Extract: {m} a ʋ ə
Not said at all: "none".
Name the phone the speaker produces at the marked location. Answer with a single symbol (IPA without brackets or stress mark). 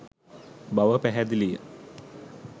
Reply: b